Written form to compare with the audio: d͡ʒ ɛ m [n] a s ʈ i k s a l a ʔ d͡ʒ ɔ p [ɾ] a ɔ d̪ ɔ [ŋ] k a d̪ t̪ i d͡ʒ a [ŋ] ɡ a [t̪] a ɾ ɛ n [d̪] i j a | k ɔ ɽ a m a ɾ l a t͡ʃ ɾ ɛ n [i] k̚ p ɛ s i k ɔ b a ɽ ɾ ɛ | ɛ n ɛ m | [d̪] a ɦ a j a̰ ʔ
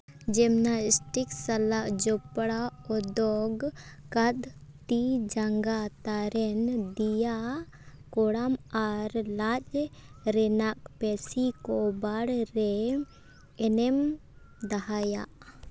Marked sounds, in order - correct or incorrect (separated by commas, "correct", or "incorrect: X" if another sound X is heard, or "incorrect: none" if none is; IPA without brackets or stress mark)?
correct, incorrect: ɽ, incorrect: ɡ, correct, correct, correct, incorrect: a, correct